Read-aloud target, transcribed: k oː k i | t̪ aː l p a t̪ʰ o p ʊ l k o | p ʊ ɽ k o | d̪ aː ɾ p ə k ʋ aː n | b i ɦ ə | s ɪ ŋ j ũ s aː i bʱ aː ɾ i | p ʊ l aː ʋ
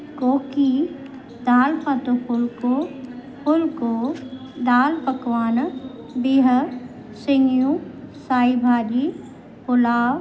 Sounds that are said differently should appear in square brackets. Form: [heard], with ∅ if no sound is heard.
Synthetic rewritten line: k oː k i | [d̪] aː l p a [t̪] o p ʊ l k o | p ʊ [l] k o | d̪ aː [l] p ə k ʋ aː n | b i ɦ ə | s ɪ ŋ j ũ s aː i bʱ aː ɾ i | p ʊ l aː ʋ

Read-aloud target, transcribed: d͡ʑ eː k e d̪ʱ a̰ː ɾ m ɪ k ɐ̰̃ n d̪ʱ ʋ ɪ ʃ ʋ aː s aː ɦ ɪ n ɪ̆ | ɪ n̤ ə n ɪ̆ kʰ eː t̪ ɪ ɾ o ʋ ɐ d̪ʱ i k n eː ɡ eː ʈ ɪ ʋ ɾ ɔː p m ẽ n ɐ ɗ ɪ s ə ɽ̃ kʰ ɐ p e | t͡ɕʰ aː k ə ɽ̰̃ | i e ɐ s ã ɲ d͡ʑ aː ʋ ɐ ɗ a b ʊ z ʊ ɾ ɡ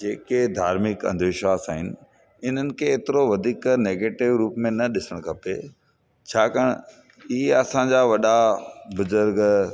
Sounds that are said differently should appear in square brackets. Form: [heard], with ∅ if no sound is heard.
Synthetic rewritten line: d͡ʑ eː k e d̪ʱ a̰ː ɾ m ɪ k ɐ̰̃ n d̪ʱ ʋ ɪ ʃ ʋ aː s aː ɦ ɪ n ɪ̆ | ɪ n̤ ə n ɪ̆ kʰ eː t̪ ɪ ɾ o ʋ ɐ d̪ʱ [iː] k n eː ɡ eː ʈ ɪ ʋ ɾ [uː] p m ẽ n ɐ ɗ ɪ s ə ɽ̃ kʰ ɐ p e | t͡ɕʰ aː k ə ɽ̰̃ | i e ɐ s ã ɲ d͡ʑ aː ʋ ɐ ɗ a b ʊ z ʊ ɾ ɡ

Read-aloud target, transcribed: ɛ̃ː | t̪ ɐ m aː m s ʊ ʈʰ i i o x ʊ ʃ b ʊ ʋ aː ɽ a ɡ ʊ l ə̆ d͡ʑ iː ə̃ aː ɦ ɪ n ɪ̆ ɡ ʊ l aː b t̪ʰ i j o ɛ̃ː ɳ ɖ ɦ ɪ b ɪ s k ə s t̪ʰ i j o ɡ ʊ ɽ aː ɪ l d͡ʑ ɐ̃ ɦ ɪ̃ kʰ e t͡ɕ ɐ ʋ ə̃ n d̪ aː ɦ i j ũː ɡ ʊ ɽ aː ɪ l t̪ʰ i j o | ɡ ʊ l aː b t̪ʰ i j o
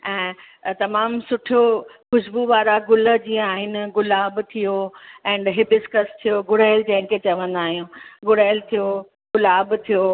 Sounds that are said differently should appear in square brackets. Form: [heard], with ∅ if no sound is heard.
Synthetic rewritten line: ɛ̃ː | t̪ ɐ m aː m s ʊ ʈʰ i [j] o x ʊ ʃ b [u] ʋ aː [ɾ] a ɡ ʊ l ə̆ d͡ʑ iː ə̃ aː ɦ ɪ n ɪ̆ ɡ ʊ l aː b t̪ʰ i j o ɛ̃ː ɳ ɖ ɦ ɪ b ɪ s k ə s t̪ʰ i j o ɡ ʊ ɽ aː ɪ l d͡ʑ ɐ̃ ɦ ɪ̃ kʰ e t͡ɕ ɐ ʋ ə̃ n d̪ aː ɦ i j ũː ɡ ʊ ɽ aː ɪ l t̪ʰ i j o | ɡ ʊ l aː b t̪ʰ i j o

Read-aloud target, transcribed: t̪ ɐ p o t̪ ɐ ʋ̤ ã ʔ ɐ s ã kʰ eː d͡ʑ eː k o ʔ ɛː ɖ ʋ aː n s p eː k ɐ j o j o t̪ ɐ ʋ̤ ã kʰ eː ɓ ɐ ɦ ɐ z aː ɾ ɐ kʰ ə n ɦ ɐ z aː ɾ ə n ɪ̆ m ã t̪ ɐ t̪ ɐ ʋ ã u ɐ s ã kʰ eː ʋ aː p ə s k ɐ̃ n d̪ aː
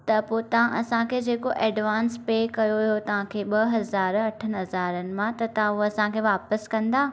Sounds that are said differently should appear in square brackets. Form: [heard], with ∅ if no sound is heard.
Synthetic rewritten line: t̪ ɐ p o t̪ ɐ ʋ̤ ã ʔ ɐ s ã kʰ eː d͡ʑ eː k o ʔ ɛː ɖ ʋ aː n s p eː k ɐ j o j o t̪ ɐ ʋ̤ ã kʰ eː ɓ ɐ ɦ ɐ z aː ɾ ɐ [ʈʰ] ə n ɦ ɐ z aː ɾ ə n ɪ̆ m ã t̪ ɐ t̪ ɐ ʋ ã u ɐ s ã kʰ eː ʋ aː p ə s k ɐ̃ n d̪ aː

